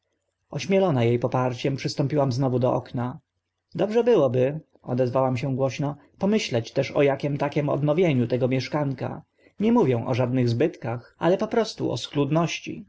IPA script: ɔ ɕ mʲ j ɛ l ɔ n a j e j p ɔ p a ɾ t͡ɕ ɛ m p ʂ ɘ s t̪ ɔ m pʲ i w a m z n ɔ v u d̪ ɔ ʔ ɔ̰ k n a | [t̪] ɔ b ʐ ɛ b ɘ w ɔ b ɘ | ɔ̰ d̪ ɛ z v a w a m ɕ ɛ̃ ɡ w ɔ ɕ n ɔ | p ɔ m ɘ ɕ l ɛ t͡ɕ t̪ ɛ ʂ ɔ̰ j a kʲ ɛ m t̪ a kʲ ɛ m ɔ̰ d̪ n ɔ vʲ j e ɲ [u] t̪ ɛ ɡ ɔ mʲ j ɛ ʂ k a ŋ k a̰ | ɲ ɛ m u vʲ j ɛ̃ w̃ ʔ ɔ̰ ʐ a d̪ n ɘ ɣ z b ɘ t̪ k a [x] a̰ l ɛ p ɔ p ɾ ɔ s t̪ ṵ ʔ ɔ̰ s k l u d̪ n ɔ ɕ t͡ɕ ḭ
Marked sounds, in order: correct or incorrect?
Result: incorrect, correct, correct

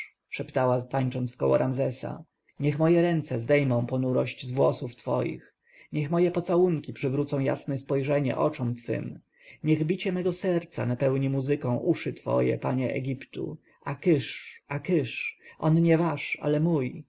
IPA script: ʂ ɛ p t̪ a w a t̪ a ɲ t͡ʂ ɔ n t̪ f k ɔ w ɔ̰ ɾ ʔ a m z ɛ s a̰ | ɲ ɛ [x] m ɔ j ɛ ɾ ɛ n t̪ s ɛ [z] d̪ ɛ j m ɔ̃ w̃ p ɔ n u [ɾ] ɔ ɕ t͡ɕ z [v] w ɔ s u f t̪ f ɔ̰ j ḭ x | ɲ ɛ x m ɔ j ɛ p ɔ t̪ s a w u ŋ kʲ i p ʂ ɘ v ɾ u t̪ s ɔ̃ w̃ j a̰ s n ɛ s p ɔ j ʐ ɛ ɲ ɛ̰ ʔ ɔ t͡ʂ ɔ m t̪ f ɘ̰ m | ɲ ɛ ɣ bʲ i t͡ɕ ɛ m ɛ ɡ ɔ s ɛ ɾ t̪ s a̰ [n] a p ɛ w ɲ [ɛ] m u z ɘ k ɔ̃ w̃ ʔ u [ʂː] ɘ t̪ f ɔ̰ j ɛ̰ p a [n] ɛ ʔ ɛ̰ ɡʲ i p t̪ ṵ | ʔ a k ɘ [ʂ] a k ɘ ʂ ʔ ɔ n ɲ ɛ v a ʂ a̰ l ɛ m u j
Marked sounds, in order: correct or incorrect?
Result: correct, correct, correct, correct, correct, incorrect, incorrect, incorrect, correct

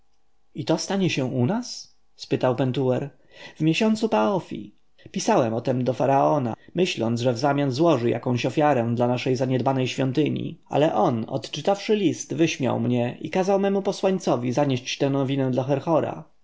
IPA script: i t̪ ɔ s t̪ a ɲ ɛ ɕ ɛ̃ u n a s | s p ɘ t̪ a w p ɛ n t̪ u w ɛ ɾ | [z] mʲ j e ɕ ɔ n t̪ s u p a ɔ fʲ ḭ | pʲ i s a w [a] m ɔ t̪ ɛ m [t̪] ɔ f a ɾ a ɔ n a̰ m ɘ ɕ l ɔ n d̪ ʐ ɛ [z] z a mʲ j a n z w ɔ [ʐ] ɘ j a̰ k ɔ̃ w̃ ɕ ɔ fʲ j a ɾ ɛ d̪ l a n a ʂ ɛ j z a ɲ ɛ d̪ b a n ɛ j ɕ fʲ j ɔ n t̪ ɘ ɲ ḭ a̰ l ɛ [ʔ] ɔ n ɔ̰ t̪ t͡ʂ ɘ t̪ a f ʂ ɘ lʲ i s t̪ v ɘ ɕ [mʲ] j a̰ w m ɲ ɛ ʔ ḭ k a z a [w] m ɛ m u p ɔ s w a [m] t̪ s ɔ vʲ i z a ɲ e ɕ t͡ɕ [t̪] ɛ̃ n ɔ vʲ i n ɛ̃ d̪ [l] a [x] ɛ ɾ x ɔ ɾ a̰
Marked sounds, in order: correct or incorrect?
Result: incorrect, incorrect, incorrect, incorrect, correct, correct, correct, correct, incorrect, correct, correct, correct

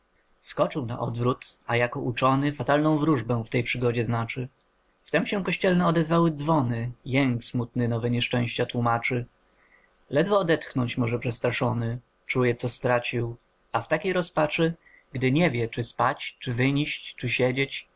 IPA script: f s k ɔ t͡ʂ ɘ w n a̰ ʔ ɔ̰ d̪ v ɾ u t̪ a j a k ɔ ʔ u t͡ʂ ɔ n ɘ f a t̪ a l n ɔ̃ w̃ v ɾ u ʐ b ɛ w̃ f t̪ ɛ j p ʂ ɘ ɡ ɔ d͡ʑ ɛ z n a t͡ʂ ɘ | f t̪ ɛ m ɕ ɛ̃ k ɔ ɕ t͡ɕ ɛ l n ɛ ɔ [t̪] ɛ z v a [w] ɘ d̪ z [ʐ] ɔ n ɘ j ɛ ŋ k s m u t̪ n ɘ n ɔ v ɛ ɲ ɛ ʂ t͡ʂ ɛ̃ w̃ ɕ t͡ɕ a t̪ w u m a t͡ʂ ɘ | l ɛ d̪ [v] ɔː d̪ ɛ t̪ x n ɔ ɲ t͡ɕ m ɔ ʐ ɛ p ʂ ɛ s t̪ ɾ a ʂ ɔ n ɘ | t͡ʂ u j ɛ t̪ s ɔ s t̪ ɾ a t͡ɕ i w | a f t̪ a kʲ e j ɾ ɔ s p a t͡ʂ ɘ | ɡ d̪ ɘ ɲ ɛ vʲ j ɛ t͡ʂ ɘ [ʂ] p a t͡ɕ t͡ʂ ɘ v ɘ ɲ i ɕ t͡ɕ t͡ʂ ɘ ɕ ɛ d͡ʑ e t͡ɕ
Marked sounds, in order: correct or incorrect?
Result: incorrect, correct, incorrect, correct, incorrect

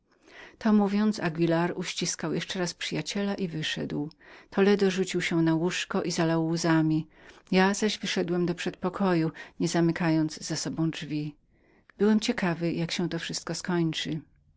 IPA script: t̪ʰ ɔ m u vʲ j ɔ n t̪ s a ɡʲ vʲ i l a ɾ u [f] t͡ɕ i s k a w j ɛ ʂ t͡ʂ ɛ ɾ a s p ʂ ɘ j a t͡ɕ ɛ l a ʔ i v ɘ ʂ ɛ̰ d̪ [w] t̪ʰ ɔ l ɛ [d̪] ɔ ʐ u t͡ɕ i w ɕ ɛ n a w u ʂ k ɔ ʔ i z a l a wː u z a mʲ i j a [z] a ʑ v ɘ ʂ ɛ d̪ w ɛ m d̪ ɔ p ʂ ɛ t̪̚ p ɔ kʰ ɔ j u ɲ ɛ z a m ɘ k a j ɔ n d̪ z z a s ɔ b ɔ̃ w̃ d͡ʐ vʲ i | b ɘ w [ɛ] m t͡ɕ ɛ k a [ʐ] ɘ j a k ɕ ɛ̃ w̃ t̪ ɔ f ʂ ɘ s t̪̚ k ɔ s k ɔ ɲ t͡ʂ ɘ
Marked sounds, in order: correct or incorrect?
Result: incorrect, correct, correct, correct, correct, incorrect

